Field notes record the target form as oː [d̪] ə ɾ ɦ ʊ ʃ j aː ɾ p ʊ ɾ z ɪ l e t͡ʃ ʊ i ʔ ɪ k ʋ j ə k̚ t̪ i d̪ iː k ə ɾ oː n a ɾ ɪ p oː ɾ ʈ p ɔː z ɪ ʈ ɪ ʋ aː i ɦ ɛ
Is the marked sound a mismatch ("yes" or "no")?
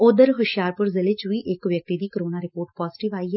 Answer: no